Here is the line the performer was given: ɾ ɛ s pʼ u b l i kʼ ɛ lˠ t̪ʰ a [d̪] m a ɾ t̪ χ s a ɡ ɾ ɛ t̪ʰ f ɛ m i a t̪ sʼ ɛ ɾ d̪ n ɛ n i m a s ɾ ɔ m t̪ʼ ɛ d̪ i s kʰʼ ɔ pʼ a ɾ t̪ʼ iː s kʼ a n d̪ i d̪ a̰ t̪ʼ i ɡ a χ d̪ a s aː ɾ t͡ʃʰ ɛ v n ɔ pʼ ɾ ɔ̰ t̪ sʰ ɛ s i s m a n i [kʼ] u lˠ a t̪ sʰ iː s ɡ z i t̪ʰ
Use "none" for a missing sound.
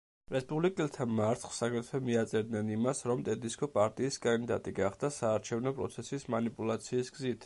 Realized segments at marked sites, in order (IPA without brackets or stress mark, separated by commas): none, pʼ